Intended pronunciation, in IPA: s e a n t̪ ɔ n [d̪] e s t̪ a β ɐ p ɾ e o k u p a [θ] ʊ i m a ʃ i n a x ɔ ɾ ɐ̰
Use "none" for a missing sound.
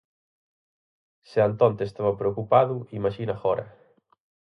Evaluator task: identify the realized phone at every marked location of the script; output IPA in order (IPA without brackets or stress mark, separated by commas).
t̪, ð